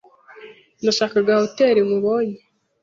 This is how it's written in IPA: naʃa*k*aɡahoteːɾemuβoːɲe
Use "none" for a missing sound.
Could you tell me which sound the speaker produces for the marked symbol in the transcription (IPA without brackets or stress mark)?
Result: k